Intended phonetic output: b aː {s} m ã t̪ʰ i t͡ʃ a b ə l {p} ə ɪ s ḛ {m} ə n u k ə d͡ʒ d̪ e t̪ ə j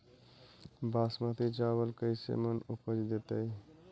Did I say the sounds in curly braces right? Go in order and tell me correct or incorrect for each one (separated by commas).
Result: correct, incorrect, correct